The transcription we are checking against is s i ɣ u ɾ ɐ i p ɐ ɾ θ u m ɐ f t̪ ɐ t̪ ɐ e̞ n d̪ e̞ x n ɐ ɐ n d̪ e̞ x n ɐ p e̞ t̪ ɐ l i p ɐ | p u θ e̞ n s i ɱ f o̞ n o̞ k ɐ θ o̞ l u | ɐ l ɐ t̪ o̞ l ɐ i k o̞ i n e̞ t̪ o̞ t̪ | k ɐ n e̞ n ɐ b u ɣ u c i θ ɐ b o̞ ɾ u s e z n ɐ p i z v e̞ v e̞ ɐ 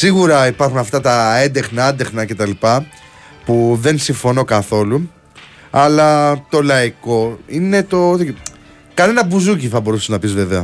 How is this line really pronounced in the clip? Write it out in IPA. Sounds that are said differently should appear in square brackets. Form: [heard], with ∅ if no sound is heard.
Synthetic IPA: s i ɣ u ɾ ɐ i p ɐ ɾ [x] u [n] ɐ f t̪ ɐ t̪ ɐ e̞ n d̪ e̞ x n ɐ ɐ n d̪ e̞ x n ɐ [c] e̞ t̪ ɐ l i p ɐ | p u [ð] e̞ n s i ɱ f o̞ n o̞ k ɐ θ o̞ l u | ɐ l ɐ t̪ o̞ l ɐ i k o̞ i n e̞ t̪ o̞ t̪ | k ɐ n e̞ n ɐ b u [z] u c i θ ɐ b o̞ ɾ u s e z n ɐ p i z v e̞ v e̞ ɐ